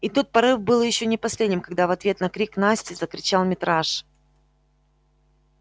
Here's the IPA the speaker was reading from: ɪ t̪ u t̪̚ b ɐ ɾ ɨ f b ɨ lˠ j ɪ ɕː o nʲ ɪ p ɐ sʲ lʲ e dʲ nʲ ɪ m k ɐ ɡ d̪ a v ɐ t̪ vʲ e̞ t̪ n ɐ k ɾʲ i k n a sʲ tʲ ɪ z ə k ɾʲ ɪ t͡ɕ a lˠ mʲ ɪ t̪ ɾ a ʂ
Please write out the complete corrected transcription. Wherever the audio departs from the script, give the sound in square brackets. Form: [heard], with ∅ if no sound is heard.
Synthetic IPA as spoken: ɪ t̪ u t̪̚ [p] ɐ ɾ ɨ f b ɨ lˠ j ɪ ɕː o nʲ ɪ p ɐ sʲ lʲ e dʲ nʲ ɪ m k ɐ ɡ d̪ a v ɐ t̪ vʲ e̞ t̪ n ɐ k ɾʲ i k n a sʲ tʲ ɪ z ə k ɾʲ ɪ t͡ɕ a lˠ mʲ ɪ t̪ ɾ a ʂ